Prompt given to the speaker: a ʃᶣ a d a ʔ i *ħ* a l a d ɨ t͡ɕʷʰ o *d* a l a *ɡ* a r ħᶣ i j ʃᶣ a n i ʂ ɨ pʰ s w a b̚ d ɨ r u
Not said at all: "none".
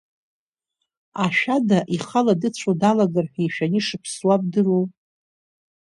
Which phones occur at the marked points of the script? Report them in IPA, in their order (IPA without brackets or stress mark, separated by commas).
χ, d, ɡ